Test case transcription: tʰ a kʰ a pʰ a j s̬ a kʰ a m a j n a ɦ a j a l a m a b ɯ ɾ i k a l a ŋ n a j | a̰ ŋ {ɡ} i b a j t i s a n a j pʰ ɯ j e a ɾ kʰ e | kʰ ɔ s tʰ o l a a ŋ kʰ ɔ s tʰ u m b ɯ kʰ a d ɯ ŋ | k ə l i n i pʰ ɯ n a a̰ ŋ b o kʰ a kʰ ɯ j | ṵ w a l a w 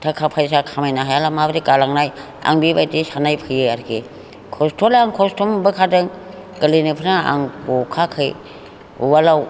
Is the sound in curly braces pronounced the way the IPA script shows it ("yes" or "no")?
no